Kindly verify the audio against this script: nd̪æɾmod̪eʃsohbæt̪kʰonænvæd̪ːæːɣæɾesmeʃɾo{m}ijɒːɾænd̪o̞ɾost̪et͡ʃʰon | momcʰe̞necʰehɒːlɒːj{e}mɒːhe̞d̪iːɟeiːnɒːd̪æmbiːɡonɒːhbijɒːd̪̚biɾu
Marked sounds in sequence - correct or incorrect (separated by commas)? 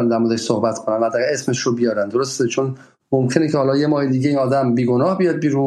incorrect, correct